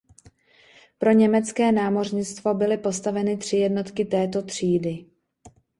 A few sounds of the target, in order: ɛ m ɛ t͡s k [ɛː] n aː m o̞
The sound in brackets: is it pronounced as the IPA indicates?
yes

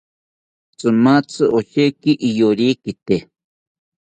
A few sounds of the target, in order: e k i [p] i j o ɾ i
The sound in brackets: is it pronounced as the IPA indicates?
no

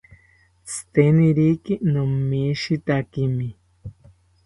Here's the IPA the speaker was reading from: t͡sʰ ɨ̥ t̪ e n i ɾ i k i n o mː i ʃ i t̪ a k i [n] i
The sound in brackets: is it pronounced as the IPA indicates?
no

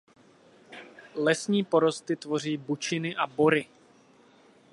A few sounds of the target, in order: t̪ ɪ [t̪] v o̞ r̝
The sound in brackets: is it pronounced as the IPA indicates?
yes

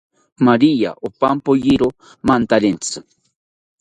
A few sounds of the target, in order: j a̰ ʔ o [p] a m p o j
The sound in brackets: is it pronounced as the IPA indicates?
yes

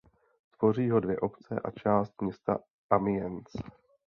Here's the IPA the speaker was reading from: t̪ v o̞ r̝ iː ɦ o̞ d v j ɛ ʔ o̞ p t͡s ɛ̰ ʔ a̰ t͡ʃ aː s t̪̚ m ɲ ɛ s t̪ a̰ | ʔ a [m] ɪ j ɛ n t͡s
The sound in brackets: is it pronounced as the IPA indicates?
yes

